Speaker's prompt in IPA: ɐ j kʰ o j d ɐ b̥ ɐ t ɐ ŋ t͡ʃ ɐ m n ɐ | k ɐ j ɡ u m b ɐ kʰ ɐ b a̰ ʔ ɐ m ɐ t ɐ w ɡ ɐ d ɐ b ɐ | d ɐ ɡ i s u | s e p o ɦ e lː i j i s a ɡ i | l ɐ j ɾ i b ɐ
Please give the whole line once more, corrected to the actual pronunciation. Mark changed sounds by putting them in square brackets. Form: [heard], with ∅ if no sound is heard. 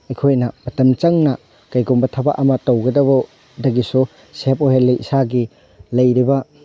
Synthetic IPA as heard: ɐ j kʰ o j [n] ɐ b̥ ɐ t ɐ [m] t͡ʃ ɐ [ŋ] n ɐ | k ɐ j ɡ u m b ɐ [tʰ] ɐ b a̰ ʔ ɐ m ɐ t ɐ w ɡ ɐ d ɐ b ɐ | d ɐ ɡ i s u | s e p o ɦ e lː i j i s a ɡ i | l ɐ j ɾ i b ɐ